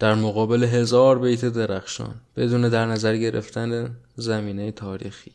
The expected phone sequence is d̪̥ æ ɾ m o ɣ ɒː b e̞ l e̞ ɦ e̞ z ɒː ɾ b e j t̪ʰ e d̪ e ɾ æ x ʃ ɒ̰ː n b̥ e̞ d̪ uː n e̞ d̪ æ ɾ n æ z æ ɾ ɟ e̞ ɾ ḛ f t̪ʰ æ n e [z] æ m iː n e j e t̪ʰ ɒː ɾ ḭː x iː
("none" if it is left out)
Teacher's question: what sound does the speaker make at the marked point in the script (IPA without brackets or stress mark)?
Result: z